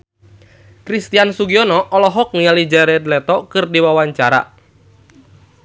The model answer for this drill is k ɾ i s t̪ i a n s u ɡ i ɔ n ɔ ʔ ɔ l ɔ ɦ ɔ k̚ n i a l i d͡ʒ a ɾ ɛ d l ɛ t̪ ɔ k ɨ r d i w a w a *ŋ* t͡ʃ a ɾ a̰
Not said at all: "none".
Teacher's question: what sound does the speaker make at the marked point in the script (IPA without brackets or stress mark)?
ɲ